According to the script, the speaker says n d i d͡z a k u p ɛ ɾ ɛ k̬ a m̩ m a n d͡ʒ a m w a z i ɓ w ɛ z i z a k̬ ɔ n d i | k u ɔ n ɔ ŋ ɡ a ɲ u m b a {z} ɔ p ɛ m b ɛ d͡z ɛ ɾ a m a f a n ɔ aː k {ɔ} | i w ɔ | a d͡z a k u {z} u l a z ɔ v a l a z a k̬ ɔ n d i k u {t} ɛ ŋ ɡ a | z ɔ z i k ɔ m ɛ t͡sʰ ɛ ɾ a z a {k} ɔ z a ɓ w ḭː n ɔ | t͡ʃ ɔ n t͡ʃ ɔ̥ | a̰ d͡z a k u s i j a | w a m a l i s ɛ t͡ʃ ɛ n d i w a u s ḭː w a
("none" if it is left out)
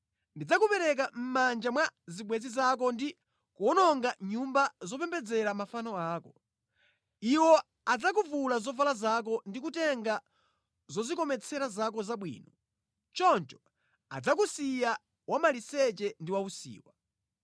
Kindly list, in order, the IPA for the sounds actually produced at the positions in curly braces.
z, ɔ, v, t, k

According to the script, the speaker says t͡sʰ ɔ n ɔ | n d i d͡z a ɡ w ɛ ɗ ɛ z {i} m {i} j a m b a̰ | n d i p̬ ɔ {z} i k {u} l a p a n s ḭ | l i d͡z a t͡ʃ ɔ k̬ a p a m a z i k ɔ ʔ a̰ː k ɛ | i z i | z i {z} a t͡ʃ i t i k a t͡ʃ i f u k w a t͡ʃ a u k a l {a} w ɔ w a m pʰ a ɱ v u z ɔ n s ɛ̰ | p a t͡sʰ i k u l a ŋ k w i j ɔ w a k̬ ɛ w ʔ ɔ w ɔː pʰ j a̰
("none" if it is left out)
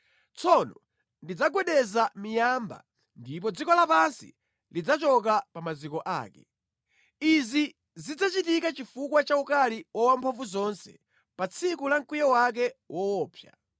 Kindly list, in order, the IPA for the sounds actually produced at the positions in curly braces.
a, i, d͡z, ɔ, d͡z, i

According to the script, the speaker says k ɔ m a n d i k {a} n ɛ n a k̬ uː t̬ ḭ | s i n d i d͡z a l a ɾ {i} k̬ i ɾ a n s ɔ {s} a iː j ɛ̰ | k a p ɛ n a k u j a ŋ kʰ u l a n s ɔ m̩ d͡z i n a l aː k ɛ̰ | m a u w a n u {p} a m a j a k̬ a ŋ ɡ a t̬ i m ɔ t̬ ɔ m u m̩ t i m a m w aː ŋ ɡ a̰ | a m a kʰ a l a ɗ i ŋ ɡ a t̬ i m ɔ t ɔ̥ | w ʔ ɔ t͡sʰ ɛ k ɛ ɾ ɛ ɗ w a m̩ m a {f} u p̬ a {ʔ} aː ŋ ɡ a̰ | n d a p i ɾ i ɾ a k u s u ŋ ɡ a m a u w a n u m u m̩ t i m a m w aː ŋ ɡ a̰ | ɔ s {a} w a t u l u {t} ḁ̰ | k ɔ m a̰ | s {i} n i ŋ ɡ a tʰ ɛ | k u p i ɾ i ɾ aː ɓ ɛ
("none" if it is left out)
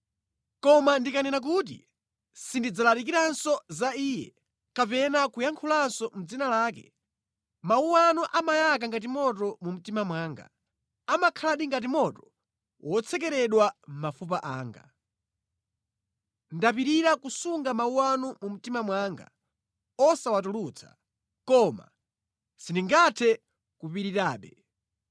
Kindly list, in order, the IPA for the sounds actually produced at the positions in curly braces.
a, i, z, ʔ, f, ʔ, a, t͡sʰ, i

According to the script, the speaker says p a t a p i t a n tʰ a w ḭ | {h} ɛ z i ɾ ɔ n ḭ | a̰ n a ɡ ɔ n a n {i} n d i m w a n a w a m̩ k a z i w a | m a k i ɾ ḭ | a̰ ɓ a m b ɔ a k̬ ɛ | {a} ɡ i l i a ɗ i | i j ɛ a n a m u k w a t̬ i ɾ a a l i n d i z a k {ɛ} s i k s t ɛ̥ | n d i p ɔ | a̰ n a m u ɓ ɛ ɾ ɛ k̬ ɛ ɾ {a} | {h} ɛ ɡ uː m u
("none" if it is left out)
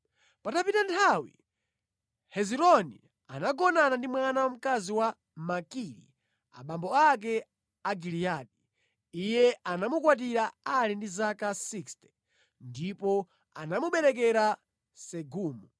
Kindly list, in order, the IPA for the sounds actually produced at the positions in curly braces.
h, a, a, a, a, s

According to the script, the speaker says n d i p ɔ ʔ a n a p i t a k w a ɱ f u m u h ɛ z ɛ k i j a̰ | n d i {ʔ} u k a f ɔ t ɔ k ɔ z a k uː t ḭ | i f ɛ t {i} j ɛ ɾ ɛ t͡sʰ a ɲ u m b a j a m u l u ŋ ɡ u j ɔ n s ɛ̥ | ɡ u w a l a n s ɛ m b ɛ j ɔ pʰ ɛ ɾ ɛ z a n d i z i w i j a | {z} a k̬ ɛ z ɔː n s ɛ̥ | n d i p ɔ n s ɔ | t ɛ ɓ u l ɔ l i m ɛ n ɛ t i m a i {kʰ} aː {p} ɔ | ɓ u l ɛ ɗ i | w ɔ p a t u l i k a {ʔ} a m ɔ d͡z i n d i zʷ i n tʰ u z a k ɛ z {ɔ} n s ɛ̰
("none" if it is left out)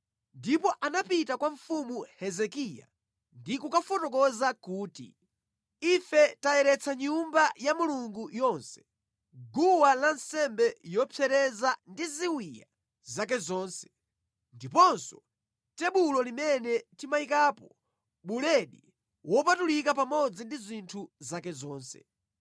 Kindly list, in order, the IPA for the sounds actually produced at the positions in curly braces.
k, a, z, k, p, p, ɔː

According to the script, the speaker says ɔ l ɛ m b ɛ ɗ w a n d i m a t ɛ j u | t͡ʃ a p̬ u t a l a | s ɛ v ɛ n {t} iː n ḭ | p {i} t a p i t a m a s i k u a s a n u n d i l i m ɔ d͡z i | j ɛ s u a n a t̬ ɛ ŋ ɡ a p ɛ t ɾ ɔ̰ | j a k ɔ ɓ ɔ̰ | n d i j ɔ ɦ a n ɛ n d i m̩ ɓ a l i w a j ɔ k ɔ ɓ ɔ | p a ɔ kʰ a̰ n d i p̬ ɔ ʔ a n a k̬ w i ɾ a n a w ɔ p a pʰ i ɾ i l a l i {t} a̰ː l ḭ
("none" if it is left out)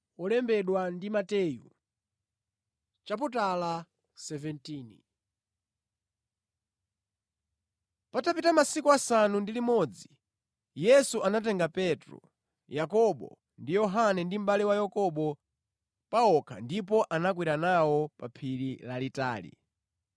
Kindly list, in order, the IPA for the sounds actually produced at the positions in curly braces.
t, a, t

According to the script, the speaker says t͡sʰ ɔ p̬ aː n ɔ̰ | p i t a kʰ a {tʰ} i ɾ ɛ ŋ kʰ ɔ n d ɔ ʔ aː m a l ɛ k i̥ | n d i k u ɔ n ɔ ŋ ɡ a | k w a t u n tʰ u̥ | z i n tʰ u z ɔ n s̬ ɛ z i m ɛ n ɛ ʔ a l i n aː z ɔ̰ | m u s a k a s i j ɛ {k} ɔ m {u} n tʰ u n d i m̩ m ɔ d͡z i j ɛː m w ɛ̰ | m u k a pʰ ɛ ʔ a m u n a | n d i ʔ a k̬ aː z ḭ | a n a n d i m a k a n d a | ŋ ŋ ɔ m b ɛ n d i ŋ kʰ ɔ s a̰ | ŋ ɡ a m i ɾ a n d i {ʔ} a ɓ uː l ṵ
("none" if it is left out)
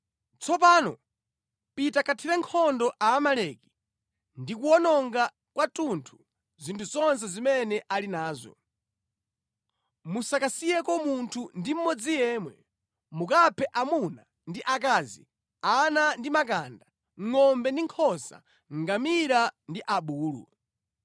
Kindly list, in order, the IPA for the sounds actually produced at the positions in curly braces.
tʰ, k, u, ʔ

